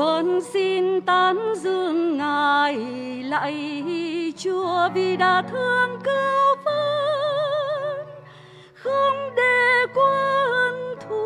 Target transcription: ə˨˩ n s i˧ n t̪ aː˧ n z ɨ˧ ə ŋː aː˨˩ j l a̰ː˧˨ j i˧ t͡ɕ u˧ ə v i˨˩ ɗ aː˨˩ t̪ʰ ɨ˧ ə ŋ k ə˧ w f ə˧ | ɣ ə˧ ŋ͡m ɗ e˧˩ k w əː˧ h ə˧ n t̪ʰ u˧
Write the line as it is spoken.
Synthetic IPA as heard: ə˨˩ n s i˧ n t̪ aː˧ n z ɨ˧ ə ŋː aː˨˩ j l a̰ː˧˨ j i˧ t͡ɕ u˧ ə v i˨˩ ɗ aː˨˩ t̪ʰ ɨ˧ ə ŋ k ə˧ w f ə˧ | x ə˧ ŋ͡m ɗ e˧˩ k w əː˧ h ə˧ n t̪ʰ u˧